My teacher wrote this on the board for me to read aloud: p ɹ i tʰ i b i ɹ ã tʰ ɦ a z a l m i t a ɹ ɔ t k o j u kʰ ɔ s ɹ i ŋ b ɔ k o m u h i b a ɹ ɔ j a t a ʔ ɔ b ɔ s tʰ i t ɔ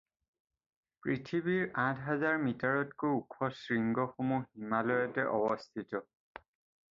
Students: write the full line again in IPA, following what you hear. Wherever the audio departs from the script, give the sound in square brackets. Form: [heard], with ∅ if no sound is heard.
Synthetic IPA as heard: p ɹ i tʰ i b i ɹ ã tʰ ɦ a z a [ɹ] m i t a ɹ ɔ t k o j u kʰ ɔ s ɹ i ŋ [ɡ] ɔ [x] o m u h i [m] a [l] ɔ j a t [ɛ] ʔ ɔ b ɔ s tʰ i t ɔ